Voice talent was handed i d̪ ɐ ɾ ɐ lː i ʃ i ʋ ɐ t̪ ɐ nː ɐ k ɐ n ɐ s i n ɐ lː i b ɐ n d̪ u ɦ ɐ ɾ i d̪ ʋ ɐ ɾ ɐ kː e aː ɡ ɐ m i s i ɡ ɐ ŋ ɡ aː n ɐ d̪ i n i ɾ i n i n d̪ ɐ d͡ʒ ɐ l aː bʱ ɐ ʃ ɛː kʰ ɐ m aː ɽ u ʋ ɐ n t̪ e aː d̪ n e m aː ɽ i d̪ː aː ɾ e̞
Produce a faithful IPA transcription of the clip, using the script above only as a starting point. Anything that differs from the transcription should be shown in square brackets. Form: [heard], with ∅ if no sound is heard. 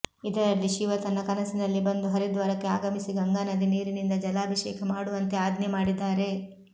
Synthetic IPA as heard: i d̪ ɐ ɾ ɐ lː i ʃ i ʋ ɐ t̪ ɐ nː ɐ k ɐ n ɐ s i n ɐ lː i b ɐ n d̪ u ɦ ɐ ɾ i d̪ ʋ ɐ ɾ ɐ kː e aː ɡ ɐ m i s i ɡ ɐ ŋ ɡ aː n ɐ d̪ i n [iː] ɾ i n i n d̪ ɐ d͡ʒ ɐ l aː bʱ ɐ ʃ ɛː kʰ ɐ m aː ɽ u ʋ ɐ n t̪ e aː d̪ n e m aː ɽ i d̪ː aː ɾ e̞